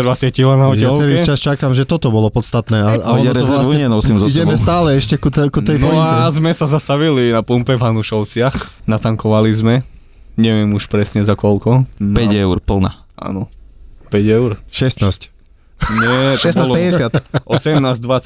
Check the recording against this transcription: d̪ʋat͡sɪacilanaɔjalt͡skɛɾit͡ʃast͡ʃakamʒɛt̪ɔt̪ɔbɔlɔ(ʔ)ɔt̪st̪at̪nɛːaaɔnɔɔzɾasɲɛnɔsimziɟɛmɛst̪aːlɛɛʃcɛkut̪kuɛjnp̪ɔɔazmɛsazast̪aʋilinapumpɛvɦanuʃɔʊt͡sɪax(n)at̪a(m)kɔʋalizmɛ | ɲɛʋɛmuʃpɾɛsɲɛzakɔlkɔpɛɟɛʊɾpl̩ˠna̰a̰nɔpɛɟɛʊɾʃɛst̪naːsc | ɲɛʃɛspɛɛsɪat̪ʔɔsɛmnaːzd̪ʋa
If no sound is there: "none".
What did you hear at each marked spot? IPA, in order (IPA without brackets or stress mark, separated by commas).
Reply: p, n, ŋ